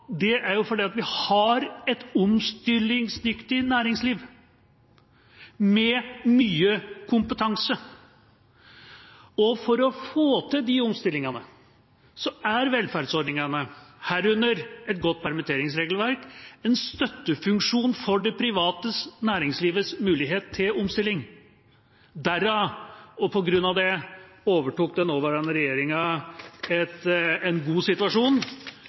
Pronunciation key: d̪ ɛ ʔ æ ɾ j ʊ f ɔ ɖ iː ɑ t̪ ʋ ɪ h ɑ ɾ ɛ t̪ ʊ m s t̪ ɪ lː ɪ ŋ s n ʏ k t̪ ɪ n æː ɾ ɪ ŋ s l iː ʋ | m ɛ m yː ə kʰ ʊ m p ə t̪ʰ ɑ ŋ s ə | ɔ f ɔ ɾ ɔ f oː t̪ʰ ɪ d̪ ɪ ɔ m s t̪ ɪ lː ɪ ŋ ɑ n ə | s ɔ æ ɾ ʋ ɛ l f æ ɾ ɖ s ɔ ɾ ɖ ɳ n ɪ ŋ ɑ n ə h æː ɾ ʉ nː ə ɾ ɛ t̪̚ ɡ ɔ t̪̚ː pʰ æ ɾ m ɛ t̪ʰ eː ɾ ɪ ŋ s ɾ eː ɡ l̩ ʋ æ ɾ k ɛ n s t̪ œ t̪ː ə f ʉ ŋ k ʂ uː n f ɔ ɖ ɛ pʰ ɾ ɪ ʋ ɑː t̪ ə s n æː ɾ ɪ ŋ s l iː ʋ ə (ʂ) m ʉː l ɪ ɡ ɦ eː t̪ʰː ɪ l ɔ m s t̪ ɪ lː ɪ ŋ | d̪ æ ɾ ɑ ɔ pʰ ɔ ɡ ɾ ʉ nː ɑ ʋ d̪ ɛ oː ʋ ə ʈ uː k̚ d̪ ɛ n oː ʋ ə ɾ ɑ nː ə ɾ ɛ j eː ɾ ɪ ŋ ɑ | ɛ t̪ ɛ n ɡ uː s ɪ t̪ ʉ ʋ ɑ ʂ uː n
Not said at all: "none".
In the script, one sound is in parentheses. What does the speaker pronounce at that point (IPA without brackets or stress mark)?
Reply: s